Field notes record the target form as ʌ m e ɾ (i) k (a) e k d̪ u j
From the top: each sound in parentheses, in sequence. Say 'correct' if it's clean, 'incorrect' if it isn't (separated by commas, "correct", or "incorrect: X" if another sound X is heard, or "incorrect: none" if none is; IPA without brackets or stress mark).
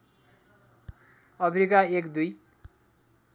correct, correct